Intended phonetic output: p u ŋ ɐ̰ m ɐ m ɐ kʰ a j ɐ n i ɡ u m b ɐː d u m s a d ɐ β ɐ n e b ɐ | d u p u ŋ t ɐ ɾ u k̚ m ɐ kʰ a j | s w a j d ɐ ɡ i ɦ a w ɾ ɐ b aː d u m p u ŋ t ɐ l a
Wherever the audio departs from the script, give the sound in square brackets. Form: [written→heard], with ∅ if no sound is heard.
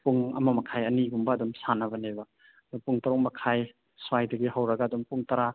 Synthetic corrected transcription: p u ŋ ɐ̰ m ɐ m ɐ kʰ a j ɐ n i ɡ u m b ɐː d u m s a [d→n] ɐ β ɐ n e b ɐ | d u p u ŋ t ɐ ɾ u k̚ m ɐ kʰ a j | s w a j d ɐ ɡ i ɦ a w ɾ ɐ [b→ɡ] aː d u m p u ŋ t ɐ [l→ɾ] a